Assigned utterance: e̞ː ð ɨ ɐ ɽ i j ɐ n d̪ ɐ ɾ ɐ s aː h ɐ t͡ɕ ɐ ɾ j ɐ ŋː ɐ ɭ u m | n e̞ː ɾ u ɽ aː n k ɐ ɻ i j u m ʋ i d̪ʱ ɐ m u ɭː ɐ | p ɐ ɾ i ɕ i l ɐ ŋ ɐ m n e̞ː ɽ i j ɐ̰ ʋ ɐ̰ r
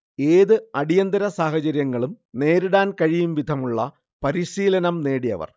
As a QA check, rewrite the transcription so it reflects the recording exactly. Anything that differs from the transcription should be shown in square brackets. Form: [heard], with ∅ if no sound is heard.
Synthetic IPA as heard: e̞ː ð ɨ ɐ ɽ i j ɐ n d̪ ɐ ɾ ɐ s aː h ɐ t͡ɕ ɐ ɾ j ɐ ŋː ɐ ɭ u m | n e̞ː ɾ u ɽ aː n k ɐ ɻ i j u m ʋ i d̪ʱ ɐ m u ɭː ɐ | p ɐ ɾ i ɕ [iː] l ɐ [n] ɐ m n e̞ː ɽ i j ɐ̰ ʋ ɐ̰ r